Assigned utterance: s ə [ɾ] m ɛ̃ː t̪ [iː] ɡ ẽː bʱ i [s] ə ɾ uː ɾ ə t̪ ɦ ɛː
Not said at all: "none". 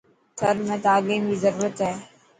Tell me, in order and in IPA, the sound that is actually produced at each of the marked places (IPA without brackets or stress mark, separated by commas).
ɾ, aː, z